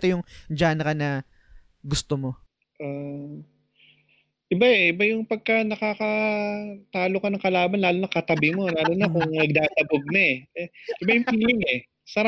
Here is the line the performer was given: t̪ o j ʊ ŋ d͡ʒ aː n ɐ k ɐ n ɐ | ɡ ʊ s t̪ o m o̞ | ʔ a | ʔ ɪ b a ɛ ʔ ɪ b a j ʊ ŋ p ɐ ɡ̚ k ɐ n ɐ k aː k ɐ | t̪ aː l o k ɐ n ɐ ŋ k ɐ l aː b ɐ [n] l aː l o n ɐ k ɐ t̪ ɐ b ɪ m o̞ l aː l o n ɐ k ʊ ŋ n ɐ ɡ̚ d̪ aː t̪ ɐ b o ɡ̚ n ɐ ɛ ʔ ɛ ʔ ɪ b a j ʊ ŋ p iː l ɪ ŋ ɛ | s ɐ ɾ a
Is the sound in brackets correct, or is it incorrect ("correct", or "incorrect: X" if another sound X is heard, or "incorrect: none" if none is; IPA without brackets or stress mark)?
correct